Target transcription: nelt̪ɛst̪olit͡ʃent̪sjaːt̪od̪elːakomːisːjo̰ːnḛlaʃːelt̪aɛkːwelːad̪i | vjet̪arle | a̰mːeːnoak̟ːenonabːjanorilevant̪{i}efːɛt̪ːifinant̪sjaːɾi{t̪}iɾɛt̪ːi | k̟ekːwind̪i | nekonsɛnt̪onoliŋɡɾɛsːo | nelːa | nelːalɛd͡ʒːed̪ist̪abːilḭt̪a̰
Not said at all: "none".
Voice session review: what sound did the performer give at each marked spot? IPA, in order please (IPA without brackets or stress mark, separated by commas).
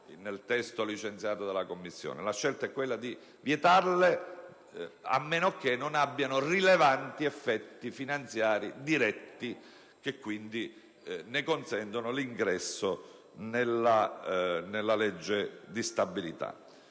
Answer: i, d̪